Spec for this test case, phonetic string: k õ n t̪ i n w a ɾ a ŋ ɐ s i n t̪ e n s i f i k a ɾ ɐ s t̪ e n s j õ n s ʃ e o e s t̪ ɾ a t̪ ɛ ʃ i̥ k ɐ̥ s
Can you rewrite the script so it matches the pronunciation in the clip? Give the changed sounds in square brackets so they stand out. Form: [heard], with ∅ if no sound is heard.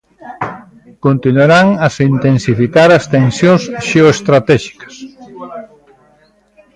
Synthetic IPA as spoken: k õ n t̪ i n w a ɾ a ŋ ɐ s i n t̪ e n s i f i k a ɾ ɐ s t̪ e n s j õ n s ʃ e o e s t̪ ɾ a t̪ ɛ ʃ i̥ k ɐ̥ s